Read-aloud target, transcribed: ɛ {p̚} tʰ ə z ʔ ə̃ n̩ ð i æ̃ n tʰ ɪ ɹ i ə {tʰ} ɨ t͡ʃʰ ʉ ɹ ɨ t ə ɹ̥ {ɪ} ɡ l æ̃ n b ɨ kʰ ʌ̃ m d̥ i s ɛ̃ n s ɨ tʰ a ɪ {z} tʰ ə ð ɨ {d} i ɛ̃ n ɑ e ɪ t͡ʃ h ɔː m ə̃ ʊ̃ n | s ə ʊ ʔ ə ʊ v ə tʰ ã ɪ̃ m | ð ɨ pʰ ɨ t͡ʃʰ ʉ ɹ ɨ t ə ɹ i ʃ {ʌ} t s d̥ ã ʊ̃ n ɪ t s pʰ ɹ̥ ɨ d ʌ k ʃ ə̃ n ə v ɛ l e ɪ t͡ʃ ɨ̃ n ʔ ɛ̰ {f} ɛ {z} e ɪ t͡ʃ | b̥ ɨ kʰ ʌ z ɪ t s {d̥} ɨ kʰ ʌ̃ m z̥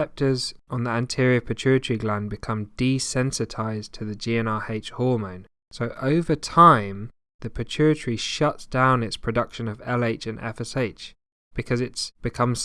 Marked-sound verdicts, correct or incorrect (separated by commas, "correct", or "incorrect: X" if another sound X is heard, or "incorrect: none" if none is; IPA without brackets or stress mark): correct, incorrect: pʰ, incorrect: i, correct, incorrect: d͡ʒ, correct, correct, incorrect: s, incorrect: b̥